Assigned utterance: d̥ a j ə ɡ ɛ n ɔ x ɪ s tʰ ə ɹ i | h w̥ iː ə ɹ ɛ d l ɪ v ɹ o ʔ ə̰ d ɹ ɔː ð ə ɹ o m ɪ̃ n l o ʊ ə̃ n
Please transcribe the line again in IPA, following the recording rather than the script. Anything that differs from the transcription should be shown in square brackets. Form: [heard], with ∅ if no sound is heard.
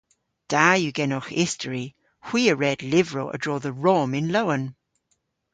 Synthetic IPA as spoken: d̥ a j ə ɡ ɛ n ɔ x ɪ s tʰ ə ɹ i | h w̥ iː ə ɹ ɛ d l ɪ v ɹ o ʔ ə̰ d ɹ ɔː ð ə ɹ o m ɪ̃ n l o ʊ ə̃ n